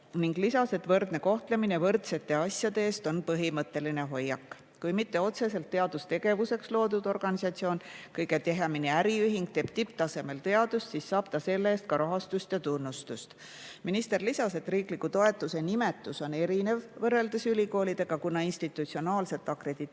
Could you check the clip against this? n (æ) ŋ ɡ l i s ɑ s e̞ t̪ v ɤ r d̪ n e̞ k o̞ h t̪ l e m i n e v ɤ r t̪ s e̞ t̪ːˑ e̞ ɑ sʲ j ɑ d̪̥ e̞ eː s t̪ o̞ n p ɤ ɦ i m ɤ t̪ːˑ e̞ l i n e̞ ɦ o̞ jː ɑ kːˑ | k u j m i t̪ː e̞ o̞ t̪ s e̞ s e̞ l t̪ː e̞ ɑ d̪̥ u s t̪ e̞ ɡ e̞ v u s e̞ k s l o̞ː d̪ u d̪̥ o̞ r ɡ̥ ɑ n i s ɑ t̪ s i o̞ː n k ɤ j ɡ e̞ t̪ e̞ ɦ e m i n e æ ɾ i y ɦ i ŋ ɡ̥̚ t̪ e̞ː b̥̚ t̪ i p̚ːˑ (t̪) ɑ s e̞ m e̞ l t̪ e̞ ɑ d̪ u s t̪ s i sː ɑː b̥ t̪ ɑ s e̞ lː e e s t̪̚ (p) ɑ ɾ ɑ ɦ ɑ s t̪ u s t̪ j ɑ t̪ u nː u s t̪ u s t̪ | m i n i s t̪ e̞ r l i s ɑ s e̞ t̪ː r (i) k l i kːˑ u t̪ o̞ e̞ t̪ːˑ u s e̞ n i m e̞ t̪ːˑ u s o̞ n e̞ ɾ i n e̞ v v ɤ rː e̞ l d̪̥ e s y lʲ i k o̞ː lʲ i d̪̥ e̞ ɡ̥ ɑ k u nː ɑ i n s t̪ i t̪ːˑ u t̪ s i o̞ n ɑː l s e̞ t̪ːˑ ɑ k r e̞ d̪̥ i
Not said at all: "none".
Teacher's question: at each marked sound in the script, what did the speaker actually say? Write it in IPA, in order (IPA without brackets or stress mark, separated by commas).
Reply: i, t̪, k, iː